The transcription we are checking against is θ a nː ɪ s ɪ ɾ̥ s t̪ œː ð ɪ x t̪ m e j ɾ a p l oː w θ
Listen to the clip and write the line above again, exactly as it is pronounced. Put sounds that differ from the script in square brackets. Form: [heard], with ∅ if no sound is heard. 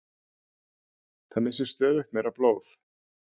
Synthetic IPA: θ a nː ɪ s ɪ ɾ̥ s t̪ œː ð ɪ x t̪ m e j ɾ a p l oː w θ

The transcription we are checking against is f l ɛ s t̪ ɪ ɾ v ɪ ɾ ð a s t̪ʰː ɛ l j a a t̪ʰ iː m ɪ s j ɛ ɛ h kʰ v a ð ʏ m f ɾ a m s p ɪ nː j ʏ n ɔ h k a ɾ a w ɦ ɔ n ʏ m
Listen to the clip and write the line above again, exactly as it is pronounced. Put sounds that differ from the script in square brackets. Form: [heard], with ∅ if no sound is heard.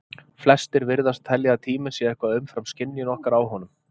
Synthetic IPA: f l ɛ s t̪ ɪ ɾ v ɪ ɾ ð a s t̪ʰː ɛ l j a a t̪ʰ iː m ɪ s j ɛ ɛ h [k] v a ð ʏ m f ɾ a m s [c] ɪ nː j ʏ n ɔ h k a ɾ a w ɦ ɔ n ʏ m

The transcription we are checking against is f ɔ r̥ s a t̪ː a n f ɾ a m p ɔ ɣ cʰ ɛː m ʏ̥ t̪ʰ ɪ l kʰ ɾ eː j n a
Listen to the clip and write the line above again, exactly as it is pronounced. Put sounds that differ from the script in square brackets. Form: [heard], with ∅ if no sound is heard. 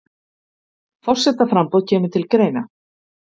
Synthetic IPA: f ɔ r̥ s [ɛ] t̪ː a [∅] f ɾ a m p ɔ [ð] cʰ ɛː m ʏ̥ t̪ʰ ɪ l [k] ɾ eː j n a

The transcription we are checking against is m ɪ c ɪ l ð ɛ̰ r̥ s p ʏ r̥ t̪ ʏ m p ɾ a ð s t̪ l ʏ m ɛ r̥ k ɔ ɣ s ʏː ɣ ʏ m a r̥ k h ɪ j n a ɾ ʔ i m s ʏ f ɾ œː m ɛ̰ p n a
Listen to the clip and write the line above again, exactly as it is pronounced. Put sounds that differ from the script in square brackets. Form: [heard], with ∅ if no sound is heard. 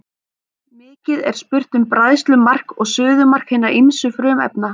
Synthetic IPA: m [ɪː] c ɪ [∅] ð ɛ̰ [ɾ̥] s p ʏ r̥ t̪ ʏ m p ɾ a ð s t̪ l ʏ m [a] r̥ k ɔ ɣ s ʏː [ð] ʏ m a r̥ k h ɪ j n a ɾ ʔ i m s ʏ f ɾ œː m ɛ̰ p n a

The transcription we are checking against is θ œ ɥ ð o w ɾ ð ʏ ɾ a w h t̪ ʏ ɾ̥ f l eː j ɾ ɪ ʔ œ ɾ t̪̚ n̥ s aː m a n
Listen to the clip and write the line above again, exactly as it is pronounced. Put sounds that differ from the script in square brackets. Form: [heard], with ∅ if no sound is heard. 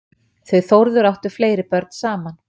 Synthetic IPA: θ œ ɥ [θ] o w ɾ ð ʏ ɾ a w h t̪ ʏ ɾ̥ f l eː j ɾ ɪ [p] œ ɾ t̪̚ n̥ s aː m a n

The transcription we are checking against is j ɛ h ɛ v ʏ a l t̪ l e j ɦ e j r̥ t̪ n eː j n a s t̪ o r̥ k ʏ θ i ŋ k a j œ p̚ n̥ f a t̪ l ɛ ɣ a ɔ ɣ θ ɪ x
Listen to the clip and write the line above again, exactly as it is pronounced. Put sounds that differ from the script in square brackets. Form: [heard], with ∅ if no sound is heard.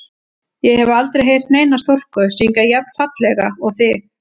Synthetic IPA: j ɛ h ɛ v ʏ a l t̪ [ɾ] e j ɦ e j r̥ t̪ n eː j n a s t̪ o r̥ k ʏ [s] i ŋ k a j [ɛ] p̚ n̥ f a t̪ l ɛ ɣ a ɔ ɣ θ ɪ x

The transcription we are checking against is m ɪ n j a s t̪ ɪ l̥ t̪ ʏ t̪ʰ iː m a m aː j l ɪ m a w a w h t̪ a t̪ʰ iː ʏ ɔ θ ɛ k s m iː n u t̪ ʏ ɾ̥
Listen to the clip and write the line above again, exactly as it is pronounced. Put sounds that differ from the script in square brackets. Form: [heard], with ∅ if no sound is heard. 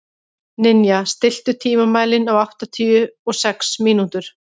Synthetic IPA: [n] ɪ n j a s t̪ ɪ l̥ t̪ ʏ t̪ʰ iː m a m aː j l ɪ [n] a w a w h t̪ a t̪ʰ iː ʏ ɔ [s] ɛ k s m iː n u t̪ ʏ ɾ̥

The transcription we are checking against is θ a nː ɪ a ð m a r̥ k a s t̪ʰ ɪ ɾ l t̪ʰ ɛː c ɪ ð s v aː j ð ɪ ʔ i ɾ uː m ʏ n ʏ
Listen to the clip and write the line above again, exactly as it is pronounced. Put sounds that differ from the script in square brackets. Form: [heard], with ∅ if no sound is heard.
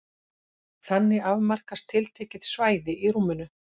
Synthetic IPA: θ a nː ɪ a [v] m a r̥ k a s t̪ʰ ɪ [∅] l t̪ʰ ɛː c ɪ ð s v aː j ð ɪ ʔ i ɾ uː m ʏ n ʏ

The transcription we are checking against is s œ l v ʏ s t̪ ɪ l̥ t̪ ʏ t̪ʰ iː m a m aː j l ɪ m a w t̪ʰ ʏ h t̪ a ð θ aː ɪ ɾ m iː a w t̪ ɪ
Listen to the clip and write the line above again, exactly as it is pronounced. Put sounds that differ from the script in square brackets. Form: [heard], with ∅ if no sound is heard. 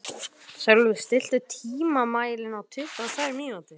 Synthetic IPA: s œ l v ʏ s t̪ ɪ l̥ t̪ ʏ t̪ʰ iː m a m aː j l ɪ [n] a w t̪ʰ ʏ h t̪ a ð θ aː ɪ ɾ m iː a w t̪ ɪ

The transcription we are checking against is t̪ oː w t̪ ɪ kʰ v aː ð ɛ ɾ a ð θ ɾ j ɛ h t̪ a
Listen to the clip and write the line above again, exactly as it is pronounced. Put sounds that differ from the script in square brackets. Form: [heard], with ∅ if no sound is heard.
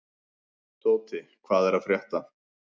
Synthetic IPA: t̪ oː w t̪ ɪ kʰ v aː ð ɛ ɾ a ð [f] ɾ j ɛ h t̪ a

